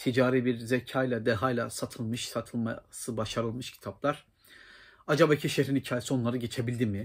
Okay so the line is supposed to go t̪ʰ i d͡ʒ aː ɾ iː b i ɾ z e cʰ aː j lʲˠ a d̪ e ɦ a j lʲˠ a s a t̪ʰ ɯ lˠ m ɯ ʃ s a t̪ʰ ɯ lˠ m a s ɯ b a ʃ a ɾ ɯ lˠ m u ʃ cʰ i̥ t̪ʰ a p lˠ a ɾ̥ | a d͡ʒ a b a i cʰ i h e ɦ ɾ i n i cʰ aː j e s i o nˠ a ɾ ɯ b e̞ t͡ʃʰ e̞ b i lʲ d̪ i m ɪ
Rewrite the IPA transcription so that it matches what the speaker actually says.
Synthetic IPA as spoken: t̪ʰ i d͡ʒ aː ɾ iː b i ɾ z e cʰ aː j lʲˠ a d̪ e ɦ a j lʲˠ a s a t̪ʰ ɯ lˠ m ɯ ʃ s a t̪ʰ ɯ lˠ m a s ɯ b a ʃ a ɾ ɯ lˠ m ɯ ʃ cʰ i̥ t̪ʰ a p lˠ a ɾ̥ | a d͡ʒ a b a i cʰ i ʃ e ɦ ɾ i n i cʰ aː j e s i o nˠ a ɾ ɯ ɟ e̞ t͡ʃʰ e̞ b i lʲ d̪ i m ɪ